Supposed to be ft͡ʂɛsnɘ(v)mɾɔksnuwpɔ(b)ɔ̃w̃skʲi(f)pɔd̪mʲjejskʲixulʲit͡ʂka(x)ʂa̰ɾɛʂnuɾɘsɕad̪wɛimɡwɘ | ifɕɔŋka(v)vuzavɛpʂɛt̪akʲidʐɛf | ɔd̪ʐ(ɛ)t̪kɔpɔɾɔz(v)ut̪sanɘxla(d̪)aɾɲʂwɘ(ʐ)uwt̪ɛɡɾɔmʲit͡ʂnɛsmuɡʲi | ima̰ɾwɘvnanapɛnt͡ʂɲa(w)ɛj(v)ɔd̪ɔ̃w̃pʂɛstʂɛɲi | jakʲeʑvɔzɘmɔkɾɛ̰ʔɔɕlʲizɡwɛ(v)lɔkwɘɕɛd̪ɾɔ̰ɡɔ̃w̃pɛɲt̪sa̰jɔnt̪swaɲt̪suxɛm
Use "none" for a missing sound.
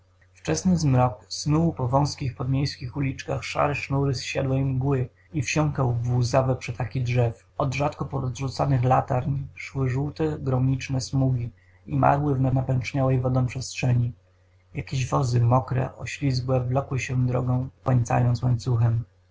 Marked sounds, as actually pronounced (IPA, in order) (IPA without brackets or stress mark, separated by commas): z, v, x, x, w, a, ʐ, t̪, ʐ, w, v, v